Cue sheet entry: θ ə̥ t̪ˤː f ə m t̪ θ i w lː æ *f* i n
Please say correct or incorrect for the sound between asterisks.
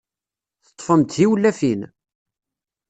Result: correct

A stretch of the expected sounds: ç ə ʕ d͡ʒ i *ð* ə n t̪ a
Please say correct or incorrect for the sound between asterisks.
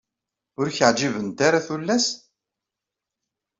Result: incorrect: v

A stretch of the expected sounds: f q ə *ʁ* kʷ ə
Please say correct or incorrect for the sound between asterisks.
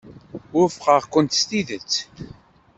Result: correct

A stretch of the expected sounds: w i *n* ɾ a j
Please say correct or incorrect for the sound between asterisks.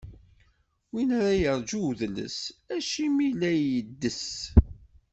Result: correct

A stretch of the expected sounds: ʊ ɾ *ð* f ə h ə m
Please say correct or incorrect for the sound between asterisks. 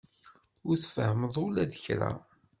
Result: incorrect: θ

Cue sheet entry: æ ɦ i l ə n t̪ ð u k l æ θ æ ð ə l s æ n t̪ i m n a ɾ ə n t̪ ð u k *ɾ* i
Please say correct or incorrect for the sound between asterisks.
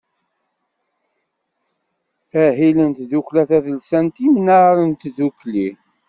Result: incorrect: l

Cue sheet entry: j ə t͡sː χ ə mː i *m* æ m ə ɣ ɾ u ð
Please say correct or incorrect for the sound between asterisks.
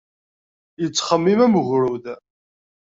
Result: correct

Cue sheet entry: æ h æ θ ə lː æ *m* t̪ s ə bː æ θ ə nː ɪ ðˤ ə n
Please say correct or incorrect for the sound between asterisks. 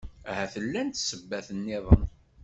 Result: incorrect: n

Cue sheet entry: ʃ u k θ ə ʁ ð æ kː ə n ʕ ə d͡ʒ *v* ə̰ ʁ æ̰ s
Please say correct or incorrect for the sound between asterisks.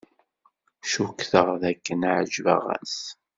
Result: correct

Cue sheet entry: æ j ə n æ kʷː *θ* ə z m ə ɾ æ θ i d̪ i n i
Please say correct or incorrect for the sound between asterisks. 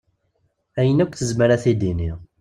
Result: correct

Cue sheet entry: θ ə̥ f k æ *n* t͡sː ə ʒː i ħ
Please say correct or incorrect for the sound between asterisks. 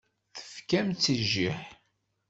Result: incorrect: m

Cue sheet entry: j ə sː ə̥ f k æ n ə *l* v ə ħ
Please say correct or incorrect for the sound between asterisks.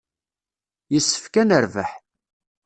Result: incorrect: ɾ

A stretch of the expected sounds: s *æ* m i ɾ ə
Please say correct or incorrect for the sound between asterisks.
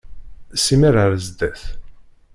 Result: incorrect: i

